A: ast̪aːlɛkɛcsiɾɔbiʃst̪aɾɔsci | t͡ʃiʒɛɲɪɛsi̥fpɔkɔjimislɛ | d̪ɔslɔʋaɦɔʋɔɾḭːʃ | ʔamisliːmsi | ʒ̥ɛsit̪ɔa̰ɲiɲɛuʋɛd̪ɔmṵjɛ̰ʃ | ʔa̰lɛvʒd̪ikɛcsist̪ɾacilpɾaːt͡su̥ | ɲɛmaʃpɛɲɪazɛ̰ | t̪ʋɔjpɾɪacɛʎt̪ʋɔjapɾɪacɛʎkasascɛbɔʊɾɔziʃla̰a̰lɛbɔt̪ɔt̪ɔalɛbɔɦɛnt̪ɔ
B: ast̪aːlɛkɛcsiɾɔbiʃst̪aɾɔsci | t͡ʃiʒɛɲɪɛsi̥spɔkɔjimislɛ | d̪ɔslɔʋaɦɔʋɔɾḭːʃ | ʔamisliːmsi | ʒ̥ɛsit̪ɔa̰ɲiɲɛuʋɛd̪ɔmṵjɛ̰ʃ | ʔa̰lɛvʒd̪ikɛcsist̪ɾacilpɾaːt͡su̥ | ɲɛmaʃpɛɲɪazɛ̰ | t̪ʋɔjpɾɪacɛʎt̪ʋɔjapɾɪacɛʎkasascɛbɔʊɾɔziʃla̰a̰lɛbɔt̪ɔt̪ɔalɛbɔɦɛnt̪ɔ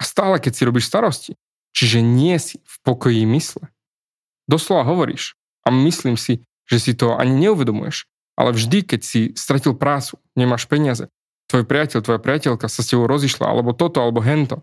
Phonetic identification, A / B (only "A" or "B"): A